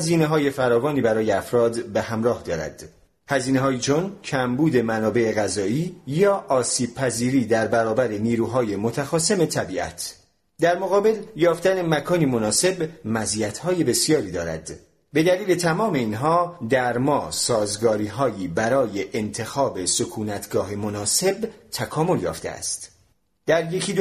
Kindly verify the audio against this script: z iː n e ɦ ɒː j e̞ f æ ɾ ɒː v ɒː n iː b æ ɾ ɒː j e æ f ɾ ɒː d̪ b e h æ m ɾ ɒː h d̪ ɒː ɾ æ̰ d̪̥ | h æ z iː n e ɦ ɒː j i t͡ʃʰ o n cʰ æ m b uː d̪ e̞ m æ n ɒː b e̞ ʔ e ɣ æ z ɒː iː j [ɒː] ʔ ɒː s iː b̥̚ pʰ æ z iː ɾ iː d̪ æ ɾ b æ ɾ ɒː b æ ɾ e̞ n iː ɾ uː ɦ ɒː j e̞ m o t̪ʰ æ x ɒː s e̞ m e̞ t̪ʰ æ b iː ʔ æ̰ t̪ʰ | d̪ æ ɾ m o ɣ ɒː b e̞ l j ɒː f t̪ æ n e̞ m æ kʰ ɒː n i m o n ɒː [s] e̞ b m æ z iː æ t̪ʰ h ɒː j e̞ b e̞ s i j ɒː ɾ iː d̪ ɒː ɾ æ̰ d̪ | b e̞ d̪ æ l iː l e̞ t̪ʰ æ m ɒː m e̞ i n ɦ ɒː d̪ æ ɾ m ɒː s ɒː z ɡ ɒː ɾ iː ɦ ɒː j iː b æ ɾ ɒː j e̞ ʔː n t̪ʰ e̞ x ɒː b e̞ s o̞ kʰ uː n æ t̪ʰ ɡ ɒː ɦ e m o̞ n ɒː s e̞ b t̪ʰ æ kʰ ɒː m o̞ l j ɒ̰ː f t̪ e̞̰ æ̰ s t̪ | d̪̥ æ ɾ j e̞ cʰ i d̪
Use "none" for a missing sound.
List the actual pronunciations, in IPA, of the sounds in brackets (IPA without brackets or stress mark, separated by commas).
ɒː, s